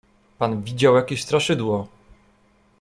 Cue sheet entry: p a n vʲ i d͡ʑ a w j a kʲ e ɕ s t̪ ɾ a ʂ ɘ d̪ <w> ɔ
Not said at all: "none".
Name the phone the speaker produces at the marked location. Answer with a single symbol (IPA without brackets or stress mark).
w